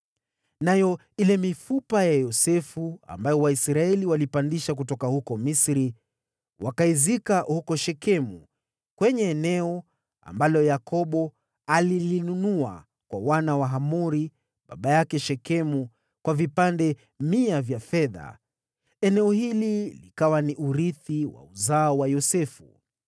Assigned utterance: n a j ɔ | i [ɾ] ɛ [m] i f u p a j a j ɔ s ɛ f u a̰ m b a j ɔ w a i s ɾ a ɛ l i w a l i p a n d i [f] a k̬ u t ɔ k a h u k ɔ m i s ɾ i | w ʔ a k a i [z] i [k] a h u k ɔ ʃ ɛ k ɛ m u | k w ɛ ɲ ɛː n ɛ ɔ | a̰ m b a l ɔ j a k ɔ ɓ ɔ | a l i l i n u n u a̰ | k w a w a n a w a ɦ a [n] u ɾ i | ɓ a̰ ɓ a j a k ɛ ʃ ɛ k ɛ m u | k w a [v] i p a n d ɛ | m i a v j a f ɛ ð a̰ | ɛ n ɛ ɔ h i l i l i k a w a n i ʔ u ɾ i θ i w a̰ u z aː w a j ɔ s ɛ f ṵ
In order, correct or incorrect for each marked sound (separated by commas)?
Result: incorrect, correct, incorrect, correct, correct, incorrect, correct